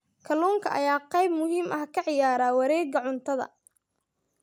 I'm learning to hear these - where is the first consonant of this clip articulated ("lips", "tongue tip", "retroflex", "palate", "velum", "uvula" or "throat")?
velum